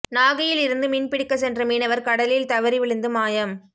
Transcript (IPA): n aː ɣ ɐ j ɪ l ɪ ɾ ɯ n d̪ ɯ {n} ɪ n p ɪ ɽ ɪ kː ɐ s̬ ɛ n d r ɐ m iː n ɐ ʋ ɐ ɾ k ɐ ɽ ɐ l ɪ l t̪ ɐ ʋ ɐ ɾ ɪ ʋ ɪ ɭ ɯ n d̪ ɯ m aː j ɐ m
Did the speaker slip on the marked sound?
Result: yes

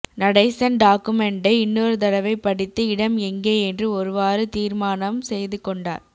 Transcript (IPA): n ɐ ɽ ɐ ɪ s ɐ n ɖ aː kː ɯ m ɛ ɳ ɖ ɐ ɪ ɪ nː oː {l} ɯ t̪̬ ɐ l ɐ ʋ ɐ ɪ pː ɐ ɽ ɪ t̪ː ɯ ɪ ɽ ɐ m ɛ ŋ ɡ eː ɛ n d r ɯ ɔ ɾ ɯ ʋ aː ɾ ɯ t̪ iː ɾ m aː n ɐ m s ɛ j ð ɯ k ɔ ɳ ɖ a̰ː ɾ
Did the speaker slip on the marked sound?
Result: yes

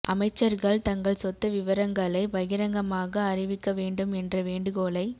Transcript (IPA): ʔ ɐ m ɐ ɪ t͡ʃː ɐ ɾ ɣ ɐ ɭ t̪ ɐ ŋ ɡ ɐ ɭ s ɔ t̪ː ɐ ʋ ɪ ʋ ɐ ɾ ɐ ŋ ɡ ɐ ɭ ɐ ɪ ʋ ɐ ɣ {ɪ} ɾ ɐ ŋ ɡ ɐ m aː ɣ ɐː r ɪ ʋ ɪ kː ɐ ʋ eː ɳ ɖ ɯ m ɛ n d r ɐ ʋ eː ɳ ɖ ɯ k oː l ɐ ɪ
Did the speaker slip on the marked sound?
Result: no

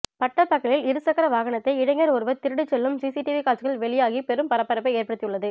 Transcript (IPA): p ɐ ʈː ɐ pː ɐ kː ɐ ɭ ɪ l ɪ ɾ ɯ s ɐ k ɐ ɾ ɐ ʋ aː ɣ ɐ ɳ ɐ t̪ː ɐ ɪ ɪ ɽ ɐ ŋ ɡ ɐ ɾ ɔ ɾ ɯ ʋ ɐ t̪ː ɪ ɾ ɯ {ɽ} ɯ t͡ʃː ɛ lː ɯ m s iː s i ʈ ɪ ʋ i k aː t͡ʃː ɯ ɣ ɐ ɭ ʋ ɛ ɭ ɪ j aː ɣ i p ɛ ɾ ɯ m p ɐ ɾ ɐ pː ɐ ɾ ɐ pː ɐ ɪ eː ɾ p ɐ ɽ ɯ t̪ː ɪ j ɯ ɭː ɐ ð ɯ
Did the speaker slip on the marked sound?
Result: no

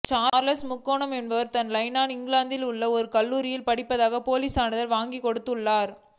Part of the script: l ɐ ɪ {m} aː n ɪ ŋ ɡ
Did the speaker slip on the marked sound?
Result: yes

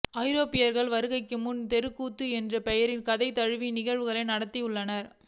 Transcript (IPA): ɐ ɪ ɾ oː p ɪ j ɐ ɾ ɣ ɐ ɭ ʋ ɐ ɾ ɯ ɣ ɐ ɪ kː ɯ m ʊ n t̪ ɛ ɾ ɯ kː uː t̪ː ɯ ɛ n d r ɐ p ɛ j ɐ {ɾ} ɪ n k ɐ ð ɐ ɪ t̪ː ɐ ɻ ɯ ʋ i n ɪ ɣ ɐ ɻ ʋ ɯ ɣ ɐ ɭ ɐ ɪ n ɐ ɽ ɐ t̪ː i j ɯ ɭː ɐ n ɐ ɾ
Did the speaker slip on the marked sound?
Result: no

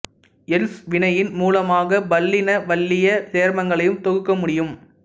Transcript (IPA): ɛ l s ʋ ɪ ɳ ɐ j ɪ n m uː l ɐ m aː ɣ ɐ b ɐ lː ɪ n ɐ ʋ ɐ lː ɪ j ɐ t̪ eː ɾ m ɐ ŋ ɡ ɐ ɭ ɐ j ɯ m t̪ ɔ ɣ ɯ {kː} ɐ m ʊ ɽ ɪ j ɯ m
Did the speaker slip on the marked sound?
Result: no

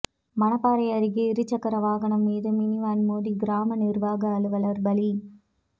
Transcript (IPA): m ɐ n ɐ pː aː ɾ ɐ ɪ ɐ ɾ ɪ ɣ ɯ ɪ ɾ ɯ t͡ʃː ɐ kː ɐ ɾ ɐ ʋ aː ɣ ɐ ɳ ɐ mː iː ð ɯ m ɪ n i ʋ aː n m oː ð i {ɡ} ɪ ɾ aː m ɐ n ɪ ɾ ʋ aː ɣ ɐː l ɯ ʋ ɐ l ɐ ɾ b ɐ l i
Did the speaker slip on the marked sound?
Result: no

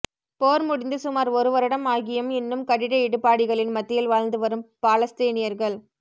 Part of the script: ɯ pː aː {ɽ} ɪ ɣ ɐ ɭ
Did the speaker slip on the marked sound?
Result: no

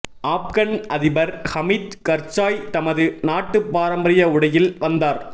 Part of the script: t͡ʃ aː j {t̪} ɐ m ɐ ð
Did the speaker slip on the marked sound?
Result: no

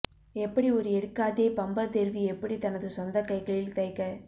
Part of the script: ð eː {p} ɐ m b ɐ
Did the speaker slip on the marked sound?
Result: no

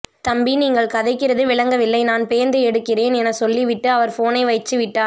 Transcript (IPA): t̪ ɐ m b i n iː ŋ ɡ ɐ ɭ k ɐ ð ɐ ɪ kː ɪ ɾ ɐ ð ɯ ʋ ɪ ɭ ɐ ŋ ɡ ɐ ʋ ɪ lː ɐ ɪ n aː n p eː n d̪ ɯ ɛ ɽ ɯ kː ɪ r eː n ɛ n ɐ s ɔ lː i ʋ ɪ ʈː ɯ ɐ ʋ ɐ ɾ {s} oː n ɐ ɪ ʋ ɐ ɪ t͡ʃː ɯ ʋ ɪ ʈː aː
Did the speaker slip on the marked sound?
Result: yes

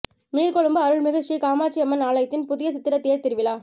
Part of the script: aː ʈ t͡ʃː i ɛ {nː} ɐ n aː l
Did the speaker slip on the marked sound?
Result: yes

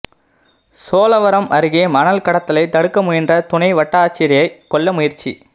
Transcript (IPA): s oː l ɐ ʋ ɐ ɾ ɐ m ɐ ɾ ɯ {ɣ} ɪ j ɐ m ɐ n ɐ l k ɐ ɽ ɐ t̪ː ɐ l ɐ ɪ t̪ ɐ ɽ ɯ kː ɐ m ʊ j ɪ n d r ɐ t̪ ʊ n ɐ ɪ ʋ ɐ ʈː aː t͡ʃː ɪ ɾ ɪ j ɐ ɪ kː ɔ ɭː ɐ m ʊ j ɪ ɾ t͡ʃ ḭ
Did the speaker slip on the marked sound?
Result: no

